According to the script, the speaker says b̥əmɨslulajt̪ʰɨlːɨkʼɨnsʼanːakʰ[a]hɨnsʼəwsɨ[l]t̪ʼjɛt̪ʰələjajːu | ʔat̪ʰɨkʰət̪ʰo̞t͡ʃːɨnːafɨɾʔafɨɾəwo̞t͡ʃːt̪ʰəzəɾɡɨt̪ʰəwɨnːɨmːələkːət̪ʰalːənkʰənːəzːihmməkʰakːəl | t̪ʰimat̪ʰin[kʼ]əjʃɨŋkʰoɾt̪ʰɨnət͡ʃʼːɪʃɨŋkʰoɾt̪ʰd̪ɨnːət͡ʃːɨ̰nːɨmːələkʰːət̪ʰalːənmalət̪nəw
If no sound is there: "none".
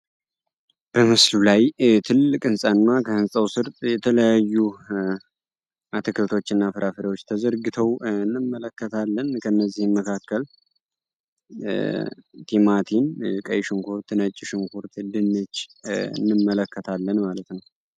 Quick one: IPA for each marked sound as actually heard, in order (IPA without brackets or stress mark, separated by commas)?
ə, ɾ, kʼ